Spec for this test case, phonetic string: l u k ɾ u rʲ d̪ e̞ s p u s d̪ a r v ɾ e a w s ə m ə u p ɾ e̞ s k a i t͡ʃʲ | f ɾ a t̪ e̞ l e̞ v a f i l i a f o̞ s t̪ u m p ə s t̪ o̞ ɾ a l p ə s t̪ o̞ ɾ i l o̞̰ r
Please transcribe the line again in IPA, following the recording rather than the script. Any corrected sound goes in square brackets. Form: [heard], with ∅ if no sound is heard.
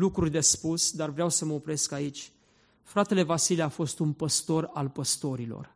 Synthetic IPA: l u k ɾ u rʲ d̪ e̞ s p u s d̪ a r v ɾ e a w s ə m ə [o] p ɾ e̞ s k a i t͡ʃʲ | f ɾ a t̪ e̞ l e̞ v a [s] i l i a f o̞ s t̪ u [n] p ə s t̪ o̞ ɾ a l p ə s t̪ o̞ ɾ i l o̞̰ r